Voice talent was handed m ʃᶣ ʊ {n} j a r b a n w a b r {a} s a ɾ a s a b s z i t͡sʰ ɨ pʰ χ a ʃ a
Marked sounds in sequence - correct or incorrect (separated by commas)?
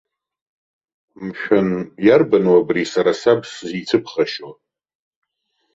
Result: correct, incorrect